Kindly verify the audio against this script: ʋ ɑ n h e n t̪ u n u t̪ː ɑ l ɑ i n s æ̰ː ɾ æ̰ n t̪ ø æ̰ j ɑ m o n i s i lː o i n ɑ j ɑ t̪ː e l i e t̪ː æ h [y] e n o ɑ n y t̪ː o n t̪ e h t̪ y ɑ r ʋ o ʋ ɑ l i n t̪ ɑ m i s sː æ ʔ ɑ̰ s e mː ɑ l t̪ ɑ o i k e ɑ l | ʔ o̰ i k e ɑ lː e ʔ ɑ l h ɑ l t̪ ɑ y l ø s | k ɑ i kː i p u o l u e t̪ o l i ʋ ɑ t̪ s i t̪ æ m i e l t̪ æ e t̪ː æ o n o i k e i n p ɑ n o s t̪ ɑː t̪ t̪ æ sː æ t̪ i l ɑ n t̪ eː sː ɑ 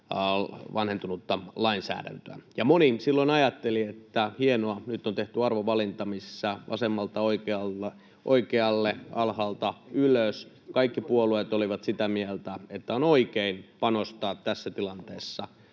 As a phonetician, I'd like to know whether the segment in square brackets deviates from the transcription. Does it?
yes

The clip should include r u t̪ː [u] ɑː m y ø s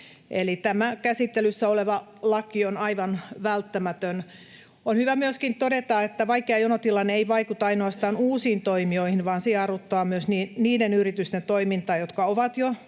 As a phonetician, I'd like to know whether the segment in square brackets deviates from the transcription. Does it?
yes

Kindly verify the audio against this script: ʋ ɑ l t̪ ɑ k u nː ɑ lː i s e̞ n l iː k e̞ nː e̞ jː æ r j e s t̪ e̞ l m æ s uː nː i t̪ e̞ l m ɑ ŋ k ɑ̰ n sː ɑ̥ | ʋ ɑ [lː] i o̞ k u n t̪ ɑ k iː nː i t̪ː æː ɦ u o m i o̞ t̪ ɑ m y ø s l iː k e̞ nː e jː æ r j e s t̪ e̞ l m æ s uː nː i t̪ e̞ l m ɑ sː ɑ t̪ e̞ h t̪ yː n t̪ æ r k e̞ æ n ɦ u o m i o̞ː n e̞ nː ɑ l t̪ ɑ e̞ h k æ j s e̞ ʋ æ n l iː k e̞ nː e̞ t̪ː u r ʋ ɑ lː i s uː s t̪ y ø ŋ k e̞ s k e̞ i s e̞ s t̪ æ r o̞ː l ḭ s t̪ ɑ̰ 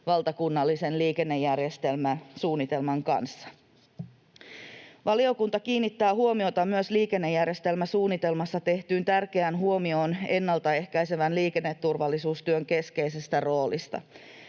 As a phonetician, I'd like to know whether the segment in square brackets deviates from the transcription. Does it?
yes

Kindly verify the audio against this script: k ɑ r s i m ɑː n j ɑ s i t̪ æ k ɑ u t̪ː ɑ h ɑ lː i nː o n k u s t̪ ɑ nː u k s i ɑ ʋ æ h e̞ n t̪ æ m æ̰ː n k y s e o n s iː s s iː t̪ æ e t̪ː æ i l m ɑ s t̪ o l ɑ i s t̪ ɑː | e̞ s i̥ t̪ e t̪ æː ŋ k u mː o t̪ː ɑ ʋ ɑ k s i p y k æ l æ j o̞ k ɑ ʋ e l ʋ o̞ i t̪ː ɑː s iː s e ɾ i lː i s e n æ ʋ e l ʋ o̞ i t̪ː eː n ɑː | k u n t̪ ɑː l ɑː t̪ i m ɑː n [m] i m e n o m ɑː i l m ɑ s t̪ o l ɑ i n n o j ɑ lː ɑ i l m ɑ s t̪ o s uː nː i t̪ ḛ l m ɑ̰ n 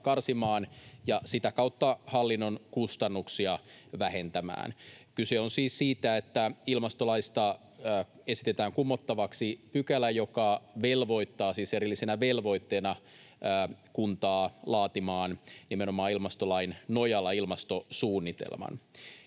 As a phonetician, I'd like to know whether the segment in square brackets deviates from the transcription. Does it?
yes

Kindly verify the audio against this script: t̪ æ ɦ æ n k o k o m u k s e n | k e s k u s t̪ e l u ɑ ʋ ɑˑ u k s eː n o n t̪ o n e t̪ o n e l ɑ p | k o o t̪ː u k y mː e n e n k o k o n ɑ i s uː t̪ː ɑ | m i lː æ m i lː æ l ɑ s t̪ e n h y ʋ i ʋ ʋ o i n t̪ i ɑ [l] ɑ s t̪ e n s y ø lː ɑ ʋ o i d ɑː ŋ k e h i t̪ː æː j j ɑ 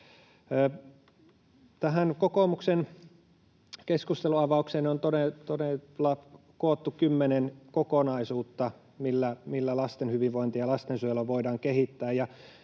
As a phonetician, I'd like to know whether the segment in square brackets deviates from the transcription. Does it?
no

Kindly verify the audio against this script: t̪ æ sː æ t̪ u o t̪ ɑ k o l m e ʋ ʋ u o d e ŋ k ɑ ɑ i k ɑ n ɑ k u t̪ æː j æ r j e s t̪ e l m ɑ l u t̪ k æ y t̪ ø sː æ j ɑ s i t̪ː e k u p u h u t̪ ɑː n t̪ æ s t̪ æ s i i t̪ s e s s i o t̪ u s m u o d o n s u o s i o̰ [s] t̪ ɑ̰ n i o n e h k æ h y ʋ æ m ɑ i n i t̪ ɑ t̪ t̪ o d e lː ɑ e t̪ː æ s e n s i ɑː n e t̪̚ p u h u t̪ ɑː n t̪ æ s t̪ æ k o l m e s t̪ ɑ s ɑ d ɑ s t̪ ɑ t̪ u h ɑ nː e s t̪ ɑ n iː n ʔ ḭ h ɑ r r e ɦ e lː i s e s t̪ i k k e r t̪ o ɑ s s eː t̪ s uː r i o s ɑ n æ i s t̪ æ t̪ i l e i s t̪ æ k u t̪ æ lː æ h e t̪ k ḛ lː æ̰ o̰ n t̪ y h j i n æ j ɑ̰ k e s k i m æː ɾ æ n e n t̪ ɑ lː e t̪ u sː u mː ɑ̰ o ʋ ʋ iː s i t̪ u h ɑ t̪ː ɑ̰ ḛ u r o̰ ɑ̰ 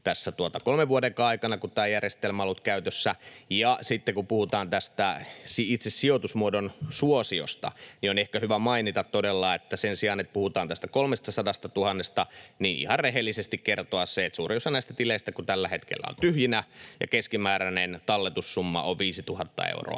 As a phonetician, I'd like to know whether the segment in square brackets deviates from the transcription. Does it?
no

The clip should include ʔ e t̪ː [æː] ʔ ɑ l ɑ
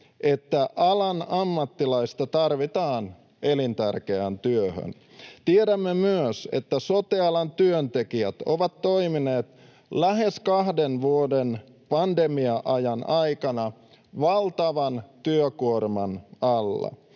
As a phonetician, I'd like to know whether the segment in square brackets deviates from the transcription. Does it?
yes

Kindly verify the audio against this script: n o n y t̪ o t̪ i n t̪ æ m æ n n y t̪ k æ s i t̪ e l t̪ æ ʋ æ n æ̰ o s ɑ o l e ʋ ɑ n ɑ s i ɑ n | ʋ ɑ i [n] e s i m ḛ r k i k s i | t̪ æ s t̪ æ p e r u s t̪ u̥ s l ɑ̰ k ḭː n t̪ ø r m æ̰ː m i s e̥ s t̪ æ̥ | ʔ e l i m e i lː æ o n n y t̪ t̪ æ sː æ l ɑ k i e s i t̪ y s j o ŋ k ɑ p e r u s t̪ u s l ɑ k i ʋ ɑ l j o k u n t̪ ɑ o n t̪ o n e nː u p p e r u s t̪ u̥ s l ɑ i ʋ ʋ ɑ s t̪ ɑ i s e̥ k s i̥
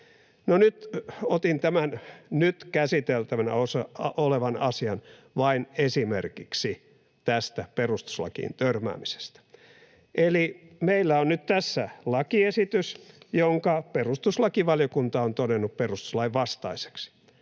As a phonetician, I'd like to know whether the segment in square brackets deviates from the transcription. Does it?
no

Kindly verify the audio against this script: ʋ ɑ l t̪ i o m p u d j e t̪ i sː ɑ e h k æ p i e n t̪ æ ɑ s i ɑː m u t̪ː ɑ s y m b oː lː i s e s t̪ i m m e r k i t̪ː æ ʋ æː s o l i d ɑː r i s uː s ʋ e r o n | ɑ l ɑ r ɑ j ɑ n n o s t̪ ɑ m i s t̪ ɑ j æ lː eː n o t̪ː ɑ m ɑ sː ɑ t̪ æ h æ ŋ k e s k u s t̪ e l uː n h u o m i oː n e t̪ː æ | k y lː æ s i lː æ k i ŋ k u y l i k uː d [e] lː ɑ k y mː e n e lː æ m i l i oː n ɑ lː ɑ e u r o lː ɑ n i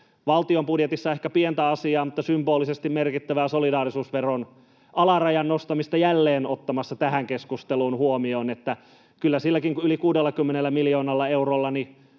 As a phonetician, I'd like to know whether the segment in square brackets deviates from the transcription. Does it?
no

